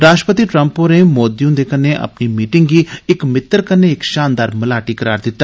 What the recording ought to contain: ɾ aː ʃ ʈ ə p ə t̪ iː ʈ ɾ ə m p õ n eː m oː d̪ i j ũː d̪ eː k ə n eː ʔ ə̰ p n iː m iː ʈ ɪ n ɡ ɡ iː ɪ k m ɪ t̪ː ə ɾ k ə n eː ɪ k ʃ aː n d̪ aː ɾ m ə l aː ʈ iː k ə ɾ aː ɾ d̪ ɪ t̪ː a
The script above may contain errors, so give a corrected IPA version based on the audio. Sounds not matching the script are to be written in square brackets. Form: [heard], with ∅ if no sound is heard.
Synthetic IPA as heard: ɾ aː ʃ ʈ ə p ə t̪ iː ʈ ɾ ə m p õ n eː m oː d̪ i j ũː d̪ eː k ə n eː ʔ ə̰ p n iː m iː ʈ ɪ [ŋ] ɡ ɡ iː ɪ k m ɪ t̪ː ə ɾ k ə n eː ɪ k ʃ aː n d̪ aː ɾ m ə l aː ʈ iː k ə ɾ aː ɾ d̪ ɪ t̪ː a